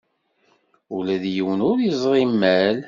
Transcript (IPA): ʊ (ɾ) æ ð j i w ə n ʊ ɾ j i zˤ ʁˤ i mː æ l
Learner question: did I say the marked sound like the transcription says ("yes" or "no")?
no